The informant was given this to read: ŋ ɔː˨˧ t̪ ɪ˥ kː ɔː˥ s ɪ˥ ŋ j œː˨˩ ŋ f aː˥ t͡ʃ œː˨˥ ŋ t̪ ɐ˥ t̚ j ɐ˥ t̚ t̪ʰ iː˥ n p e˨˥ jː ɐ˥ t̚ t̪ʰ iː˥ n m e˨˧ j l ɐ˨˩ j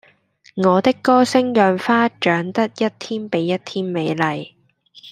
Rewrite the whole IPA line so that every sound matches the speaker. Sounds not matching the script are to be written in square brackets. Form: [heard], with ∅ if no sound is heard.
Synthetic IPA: ŋ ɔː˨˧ t̪ ɪ˥ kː ɔː˥ s ɪ˥ ŋ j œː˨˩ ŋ f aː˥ t͡ʃ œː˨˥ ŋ t̪ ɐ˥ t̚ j ɐ˥ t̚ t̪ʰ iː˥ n p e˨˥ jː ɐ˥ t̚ t̪ʰ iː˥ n m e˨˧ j l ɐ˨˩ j